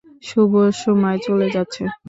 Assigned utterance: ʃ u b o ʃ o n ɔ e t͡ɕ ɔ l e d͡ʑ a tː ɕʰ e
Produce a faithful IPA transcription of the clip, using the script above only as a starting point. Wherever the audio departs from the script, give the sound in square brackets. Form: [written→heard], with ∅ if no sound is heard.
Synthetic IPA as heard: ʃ u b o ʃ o [n→m] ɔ e t͡ɕ [ɔ→o] l e d͡ʑ a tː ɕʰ e